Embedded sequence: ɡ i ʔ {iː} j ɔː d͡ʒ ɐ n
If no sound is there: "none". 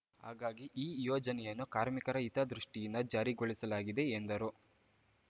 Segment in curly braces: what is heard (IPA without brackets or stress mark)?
iː